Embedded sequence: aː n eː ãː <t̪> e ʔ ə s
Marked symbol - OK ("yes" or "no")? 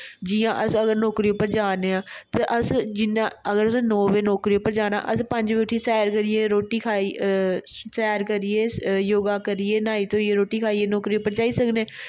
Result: yes